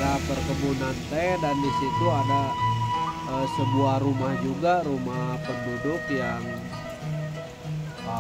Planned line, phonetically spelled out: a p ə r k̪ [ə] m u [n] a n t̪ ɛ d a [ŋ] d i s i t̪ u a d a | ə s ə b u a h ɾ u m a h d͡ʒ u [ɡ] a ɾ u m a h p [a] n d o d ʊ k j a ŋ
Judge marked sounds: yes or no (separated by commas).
yes, yes, no, yes, no